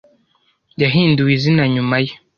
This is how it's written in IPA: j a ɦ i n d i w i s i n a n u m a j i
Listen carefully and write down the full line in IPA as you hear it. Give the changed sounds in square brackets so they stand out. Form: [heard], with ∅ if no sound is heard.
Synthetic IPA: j a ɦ i n d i w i [z] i n a [ɲ] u m a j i